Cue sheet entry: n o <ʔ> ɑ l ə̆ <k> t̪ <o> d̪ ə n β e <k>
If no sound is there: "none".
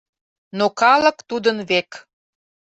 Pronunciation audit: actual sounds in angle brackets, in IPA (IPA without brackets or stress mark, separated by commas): k, k, u, k